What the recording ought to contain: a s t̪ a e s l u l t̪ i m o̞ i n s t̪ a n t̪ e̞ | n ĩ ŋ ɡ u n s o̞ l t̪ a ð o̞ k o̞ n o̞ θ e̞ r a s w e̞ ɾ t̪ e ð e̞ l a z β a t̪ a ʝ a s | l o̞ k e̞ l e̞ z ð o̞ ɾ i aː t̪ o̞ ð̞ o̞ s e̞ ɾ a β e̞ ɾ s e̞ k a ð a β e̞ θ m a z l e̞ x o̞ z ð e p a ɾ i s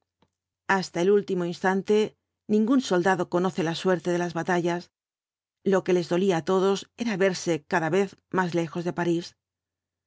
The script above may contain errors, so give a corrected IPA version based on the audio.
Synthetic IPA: a s t̪ a e l u l t̪ i m o̞ i n s t̪ a n t̪ e̞ | n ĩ ŋ ɡ u n s o̞ l d̪ a ð o̞ k o̞ n o̞ θ e̞ l a s w e̞ ɾ t̪ e ð e̞ l a z β a t̪ a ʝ a s | l o̞ k e̞ l e̞ z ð o̞ l i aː t̪ o̞ ð̞ o̞ s e̞ ɾ a β e̞ ɾ s e̞ k a ð a β e̞ θ m a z l e̞ x o̞ z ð e p a ɾ i s

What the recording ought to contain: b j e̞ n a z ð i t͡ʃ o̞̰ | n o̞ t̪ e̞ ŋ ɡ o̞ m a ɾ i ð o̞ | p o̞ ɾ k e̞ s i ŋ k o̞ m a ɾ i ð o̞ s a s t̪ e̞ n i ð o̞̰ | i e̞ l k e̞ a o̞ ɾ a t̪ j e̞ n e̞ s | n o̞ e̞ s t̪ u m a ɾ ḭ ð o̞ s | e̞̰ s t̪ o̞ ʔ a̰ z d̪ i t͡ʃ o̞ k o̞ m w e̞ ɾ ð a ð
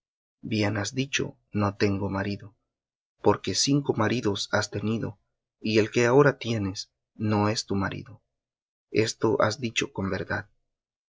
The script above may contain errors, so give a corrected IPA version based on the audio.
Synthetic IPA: b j e̞ n a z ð i t͡ʃ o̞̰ | n o̞ t̪ e̞ ŋ ɡ o̞ m a ɾ i ð o̞ | p o̞ ɾ k e̞ s i ŋ k o̞ m a ɾ i ð o̞ s a s t̪ e̞ n i ð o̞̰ | i e̞ l k e̞ a o̞ ɾ a t̪ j e̞ n e̞ s | n o̞ e̞ s t̪ u m a ɾ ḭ ð o̞ | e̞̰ s t̪ o̞ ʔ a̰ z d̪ i t͡ʃ o̞ k o̞ m b e̞ ɾ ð a ð

